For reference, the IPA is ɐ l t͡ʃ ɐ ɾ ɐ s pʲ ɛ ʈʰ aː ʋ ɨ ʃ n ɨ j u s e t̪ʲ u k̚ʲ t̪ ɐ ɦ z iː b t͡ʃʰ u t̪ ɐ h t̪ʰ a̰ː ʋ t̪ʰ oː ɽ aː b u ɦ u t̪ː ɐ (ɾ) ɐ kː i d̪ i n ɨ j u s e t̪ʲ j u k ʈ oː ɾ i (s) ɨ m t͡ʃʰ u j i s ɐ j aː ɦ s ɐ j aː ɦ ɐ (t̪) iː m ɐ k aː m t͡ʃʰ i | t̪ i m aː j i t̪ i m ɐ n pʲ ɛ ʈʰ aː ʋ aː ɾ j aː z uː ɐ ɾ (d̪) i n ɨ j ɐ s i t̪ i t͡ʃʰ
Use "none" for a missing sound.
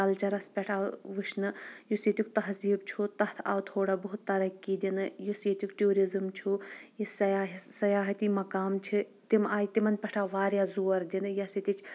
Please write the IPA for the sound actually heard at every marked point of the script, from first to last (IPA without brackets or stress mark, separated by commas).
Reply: ɾ, z, t̪, d̪